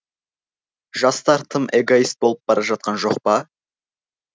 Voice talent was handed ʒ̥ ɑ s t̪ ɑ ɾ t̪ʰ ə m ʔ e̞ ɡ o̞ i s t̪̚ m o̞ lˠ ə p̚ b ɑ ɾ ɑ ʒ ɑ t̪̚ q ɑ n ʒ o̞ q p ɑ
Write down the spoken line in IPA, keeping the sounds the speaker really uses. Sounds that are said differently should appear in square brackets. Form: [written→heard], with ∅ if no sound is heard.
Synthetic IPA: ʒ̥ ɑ s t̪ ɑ ɾ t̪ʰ ə m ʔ e̞ ɡ o̞ i s t̪̚ [m→b] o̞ lˠ ə p̚ b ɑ ɾ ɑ ʒ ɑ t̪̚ q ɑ n ʒ o̞ q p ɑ